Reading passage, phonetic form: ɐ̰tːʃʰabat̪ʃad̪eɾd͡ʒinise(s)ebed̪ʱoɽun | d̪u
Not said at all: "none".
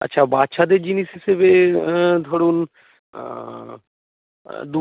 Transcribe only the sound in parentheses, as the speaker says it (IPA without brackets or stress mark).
s